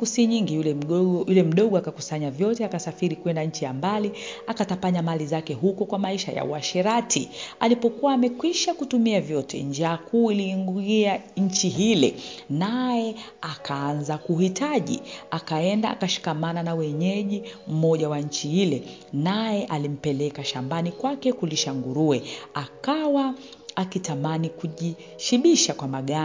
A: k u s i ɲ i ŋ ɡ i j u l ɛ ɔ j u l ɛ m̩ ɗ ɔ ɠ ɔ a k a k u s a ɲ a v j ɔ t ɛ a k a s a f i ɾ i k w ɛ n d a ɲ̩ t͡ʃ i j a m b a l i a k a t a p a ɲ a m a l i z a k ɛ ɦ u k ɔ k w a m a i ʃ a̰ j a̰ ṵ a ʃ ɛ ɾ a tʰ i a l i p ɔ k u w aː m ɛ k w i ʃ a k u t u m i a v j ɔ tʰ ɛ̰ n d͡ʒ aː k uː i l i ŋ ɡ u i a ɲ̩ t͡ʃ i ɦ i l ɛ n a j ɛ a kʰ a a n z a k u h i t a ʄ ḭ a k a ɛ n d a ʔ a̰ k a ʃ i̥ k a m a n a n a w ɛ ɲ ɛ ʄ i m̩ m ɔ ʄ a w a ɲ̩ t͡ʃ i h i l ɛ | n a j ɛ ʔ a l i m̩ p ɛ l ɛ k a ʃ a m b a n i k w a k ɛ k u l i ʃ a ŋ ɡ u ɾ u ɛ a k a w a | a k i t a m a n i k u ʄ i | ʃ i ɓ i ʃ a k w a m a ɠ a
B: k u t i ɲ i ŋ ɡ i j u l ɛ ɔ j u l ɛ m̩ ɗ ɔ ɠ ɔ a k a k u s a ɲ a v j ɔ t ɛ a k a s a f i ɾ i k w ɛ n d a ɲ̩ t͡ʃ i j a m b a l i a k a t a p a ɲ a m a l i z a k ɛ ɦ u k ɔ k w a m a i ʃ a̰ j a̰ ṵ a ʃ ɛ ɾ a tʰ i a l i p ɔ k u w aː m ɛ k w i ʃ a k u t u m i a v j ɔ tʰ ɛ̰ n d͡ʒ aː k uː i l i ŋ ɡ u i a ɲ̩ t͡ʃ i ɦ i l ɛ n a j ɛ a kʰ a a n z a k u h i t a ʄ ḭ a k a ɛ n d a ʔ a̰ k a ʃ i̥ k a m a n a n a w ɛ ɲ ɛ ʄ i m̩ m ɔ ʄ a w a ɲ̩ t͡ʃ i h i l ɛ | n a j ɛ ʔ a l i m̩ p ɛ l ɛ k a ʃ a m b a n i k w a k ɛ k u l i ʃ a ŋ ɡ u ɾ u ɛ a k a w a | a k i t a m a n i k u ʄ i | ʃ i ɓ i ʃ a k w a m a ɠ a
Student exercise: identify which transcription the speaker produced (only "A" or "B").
A